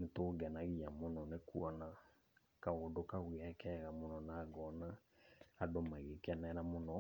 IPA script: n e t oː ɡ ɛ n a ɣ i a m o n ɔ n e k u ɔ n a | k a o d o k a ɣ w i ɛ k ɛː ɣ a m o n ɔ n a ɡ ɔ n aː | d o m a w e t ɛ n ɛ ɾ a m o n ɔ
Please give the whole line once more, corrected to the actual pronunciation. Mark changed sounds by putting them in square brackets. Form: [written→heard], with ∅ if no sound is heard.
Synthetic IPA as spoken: n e t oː ɡ ɛ n a ɣ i a m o n ɔ n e k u ɔ n a | k a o d o k a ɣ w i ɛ k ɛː ɣ a m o n ɔ n a ɡ ɔ n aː | d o m a [w→ɣ] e [t→k] ɛ n ɛ ɾ a m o n ɔ